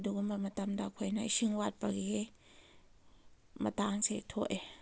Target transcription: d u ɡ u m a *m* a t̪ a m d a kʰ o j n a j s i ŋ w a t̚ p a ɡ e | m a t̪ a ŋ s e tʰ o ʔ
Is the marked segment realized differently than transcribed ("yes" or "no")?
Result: no